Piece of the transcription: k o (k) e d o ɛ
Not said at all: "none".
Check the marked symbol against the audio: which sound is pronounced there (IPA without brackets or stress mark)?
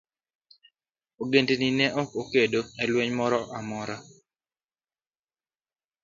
k